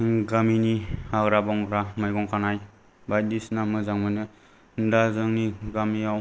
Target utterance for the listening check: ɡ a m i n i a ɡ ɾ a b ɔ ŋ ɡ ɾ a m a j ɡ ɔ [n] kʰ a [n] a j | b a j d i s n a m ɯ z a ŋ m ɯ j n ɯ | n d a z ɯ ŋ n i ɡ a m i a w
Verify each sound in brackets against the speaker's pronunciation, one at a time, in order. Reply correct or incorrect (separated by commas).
incorrect, correct